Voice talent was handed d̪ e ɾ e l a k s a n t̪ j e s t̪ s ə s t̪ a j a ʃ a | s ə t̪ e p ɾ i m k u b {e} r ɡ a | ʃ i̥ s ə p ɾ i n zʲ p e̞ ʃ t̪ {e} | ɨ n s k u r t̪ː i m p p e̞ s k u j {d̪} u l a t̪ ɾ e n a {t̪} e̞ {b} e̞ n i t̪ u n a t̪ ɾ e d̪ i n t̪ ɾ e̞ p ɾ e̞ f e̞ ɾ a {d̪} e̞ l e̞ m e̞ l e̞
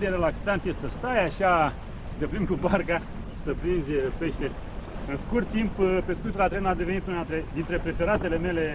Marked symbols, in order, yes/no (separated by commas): no, yes, no, no, no, no